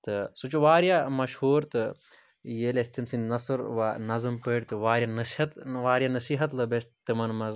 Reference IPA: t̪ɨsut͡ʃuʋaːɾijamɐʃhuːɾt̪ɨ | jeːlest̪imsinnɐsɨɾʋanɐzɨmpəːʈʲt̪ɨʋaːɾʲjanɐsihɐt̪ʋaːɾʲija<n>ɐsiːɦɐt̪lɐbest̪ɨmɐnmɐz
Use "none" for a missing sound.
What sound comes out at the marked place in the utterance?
n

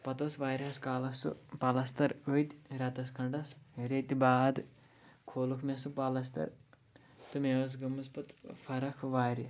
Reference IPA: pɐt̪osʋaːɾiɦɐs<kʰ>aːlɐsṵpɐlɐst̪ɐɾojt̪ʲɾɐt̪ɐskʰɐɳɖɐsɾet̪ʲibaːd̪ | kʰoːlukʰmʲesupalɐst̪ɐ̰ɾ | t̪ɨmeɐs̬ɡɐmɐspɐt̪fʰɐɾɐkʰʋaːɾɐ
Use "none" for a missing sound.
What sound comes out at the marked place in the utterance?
k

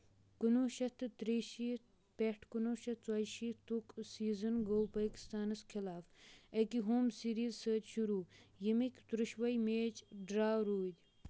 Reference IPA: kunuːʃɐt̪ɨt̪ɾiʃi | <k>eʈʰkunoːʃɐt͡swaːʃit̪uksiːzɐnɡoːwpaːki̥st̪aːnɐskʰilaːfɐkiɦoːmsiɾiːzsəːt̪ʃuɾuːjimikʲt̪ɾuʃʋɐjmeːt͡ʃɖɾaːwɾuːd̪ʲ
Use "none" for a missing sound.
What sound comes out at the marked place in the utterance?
p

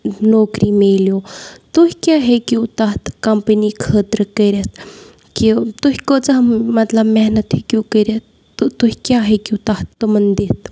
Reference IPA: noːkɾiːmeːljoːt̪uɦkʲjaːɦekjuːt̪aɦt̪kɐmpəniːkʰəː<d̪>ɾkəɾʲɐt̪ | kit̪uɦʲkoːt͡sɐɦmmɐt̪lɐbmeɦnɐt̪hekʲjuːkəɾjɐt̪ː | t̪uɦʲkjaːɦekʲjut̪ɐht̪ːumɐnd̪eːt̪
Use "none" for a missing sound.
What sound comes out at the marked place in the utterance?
t̪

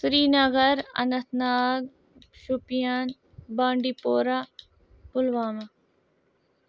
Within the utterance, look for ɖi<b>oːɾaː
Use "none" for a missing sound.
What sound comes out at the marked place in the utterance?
p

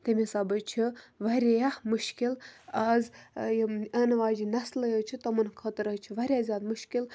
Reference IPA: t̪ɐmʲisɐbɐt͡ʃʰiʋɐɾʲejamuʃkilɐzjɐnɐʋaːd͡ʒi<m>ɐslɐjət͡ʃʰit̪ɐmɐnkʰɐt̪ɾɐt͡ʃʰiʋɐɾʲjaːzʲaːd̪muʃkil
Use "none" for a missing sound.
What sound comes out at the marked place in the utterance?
n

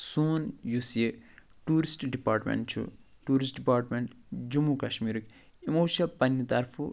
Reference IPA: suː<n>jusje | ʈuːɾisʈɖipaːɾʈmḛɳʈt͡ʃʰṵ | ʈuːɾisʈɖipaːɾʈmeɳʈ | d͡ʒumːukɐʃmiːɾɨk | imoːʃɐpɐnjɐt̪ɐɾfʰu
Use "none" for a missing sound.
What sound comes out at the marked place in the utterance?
n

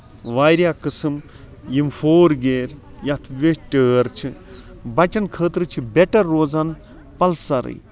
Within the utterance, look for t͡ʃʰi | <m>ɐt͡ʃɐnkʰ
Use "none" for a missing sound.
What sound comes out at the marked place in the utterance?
b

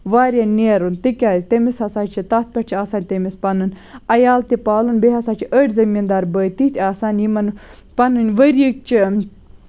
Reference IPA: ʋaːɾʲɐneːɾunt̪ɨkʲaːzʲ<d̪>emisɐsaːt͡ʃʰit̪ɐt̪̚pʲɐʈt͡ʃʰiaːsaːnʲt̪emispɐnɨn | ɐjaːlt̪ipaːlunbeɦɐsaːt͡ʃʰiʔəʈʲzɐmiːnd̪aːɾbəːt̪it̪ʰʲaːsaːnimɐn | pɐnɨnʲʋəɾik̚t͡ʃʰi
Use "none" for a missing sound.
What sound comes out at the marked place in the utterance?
t̪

